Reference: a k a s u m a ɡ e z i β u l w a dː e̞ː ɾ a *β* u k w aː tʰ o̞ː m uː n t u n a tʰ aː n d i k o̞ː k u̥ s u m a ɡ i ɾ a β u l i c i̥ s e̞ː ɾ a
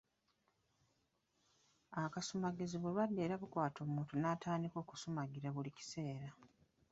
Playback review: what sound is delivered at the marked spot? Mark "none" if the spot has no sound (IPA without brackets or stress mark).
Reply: β